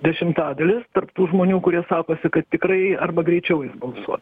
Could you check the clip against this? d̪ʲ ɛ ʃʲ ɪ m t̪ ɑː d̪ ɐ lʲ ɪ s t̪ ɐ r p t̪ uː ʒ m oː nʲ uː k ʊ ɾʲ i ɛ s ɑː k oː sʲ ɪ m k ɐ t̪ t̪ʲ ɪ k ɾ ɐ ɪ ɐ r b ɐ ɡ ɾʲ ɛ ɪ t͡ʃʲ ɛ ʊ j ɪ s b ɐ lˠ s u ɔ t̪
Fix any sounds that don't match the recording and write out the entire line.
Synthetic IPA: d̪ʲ ɛ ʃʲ ɪ m t̪ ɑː d̪ ɐ lʲ ɪ s t̪ ɐ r p t̪ uː ʒ m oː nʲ uː k ʊ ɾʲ i ɛ s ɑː k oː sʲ ɪ k ɐ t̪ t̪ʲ ɪ k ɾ ɐ ɪ ɐ r b ɐ ɡ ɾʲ ɛ ɪ t͡ʃʲ ɛ ʊ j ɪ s b ɐ lˠ s u ɔ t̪